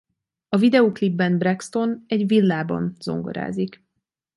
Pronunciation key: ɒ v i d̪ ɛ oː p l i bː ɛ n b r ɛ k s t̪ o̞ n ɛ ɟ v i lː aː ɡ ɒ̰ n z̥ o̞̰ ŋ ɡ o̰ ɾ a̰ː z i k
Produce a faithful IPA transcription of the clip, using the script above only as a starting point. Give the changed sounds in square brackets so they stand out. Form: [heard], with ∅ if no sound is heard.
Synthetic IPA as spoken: ɒ v i d̪ ɛ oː [k] l i bː ɛ n b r ɛ k s t̪ o̞ n ɛ ɟ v i lː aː [b] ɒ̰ n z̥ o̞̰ ŋ ɡ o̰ ɾ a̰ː z i k